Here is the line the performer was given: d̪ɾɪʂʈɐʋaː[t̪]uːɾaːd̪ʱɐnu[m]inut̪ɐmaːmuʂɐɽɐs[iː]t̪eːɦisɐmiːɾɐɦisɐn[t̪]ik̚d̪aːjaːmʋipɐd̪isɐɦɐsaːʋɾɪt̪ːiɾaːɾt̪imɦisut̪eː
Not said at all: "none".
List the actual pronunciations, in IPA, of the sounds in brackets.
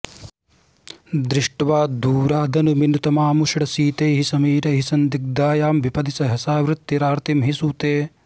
d̪, m, iː, d̪

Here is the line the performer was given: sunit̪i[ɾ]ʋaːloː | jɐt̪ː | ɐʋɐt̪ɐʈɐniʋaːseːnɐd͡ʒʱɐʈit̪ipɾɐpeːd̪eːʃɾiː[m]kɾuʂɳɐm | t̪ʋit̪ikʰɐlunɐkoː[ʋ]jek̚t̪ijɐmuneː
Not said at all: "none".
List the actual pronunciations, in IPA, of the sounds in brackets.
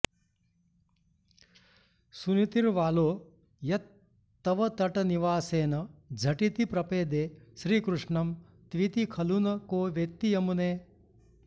ɾ, none, ʋ

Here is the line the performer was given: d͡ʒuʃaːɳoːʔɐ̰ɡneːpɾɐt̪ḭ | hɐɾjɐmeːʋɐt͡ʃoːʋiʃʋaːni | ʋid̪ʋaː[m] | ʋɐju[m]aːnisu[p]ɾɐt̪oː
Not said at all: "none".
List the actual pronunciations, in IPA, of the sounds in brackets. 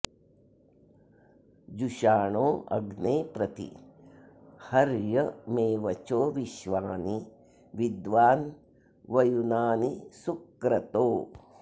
n, n, k

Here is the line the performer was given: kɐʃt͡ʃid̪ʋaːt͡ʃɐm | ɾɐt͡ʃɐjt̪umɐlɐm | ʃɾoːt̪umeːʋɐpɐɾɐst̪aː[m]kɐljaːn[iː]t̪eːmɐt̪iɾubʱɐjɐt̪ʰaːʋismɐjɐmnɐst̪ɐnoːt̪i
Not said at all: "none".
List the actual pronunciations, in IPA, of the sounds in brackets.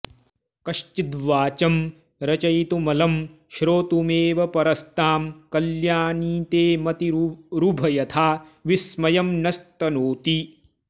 m, iː

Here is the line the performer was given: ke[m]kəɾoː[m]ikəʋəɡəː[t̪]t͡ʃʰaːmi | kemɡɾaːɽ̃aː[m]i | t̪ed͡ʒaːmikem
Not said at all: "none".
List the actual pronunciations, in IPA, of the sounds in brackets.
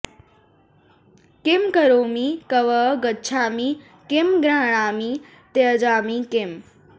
m, m, none, m

